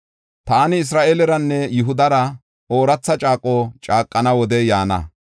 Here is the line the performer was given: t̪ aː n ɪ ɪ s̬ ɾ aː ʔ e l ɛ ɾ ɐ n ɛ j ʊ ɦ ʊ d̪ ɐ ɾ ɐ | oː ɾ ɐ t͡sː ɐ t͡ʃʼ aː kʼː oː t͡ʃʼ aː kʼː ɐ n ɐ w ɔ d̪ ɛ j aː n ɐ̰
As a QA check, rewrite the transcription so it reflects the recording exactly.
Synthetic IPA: t̪ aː n ɪ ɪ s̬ ɾ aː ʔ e l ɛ ɾ ɐ nː ɛ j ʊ ɦ ʊ d̪ ɐ ɾ ɐ | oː ɾ ɐ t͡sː ɐ t͡ʃʼ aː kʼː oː t͡ʃʼ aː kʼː ɐ n ɐ w ɔ d̪ ɛ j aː n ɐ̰